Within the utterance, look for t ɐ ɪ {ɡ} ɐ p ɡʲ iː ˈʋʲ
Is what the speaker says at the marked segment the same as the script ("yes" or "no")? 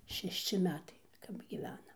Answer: no